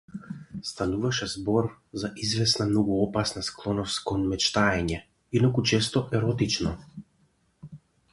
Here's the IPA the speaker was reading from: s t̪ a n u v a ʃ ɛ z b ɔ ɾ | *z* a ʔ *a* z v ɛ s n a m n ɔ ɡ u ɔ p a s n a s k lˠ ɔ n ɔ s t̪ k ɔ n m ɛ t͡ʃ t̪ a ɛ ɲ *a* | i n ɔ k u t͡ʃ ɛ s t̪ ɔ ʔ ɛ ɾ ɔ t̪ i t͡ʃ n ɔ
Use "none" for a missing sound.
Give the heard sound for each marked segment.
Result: z, i, ɛ

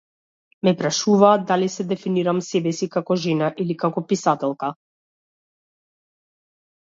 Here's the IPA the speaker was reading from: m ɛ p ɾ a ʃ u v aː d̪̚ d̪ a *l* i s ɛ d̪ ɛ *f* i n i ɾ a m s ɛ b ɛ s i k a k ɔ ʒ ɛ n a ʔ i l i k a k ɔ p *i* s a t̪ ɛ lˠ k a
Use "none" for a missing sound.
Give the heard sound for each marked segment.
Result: l, f, i

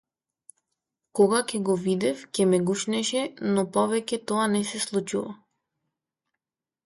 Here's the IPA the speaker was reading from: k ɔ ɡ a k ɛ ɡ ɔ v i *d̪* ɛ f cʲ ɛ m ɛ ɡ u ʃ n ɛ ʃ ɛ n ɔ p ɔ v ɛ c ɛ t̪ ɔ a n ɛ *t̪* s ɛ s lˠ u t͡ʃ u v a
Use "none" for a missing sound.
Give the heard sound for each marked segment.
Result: d̪, none

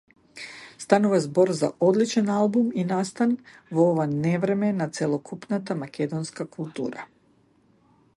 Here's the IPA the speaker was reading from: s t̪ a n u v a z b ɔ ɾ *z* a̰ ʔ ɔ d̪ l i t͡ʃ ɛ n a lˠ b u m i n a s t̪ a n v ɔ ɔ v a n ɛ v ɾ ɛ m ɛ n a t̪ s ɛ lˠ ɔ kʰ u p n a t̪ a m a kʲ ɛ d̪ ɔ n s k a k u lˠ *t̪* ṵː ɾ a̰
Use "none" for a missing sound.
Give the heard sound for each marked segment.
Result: z, t̪

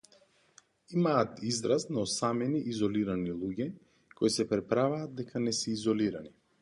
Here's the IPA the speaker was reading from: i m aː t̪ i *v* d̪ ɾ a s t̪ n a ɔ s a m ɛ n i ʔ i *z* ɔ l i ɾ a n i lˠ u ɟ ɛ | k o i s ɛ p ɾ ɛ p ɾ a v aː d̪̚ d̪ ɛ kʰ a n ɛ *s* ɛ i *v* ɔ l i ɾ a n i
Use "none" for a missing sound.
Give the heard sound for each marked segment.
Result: z, z, s, z

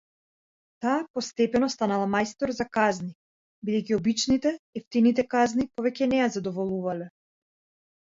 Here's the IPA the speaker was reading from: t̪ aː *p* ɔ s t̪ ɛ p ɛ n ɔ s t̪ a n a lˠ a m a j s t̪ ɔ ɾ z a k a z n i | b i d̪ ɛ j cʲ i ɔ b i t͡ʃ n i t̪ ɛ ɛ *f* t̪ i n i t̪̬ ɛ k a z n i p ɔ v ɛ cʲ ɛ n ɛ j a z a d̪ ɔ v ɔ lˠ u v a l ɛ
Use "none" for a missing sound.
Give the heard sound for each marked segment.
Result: p, f

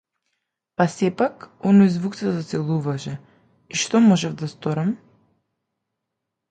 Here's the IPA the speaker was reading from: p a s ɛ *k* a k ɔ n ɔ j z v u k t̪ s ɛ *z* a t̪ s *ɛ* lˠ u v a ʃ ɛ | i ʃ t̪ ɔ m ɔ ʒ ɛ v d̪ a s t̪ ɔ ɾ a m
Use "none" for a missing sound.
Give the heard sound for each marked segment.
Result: p, z, ɛ

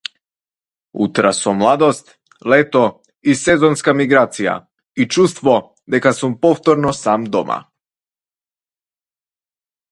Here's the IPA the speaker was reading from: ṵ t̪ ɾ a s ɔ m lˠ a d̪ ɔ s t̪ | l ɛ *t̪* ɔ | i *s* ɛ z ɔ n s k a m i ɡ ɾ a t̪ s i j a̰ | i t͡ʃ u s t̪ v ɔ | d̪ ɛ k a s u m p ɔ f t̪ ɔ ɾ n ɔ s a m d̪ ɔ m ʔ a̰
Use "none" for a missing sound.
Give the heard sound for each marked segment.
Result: t̪, s

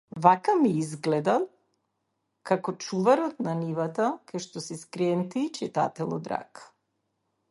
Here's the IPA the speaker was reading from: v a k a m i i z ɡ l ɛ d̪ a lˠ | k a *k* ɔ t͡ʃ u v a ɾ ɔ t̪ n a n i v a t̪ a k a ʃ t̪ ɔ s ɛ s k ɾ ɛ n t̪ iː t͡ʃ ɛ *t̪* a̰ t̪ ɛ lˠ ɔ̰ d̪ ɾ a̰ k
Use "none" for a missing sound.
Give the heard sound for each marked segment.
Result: k, t̪

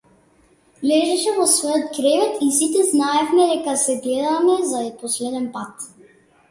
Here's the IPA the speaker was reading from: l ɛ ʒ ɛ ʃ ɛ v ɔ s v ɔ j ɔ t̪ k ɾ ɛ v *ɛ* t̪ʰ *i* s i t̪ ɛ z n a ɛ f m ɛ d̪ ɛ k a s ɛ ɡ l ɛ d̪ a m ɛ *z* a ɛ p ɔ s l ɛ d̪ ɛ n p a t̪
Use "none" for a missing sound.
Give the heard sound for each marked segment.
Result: ɛ, i, z

